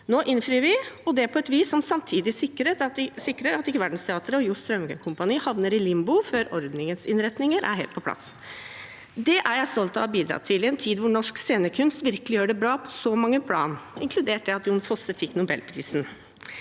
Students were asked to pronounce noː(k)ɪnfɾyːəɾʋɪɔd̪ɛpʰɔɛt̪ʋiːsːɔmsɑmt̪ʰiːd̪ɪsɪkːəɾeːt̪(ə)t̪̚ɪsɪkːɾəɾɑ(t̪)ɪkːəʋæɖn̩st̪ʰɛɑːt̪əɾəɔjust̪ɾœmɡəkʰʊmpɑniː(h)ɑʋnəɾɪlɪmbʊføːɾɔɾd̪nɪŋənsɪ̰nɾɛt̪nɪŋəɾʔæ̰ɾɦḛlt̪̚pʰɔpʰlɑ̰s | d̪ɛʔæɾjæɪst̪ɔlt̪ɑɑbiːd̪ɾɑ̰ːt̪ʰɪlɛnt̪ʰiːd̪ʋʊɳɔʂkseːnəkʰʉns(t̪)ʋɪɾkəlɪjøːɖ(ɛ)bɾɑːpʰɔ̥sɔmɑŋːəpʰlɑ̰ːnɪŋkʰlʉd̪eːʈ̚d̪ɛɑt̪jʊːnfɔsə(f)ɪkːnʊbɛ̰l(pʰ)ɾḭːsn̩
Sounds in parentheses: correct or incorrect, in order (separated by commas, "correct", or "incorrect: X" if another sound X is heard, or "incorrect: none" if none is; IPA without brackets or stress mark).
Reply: incorrect: ʔ, incorrect: ɑ, correct, correct, correct, correct, correct, correct